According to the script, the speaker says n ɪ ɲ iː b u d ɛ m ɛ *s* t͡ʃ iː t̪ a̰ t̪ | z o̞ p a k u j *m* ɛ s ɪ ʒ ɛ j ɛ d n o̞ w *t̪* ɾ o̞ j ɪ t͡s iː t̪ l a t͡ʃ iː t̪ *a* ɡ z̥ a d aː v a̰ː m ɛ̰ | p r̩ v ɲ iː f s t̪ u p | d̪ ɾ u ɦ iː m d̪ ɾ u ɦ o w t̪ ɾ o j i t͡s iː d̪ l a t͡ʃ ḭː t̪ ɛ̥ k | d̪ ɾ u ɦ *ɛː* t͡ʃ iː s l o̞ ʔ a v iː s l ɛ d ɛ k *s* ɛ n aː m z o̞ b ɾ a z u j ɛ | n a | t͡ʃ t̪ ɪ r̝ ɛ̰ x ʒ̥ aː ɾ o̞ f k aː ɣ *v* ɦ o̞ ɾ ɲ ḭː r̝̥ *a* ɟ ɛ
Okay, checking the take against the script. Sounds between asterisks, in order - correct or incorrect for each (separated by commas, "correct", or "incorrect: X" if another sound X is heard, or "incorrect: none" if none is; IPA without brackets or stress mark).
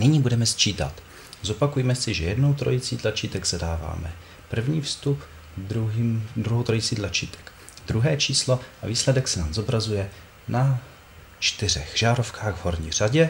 correct, correct, correct, incorrect: ɛ, correct, correct, correct, correct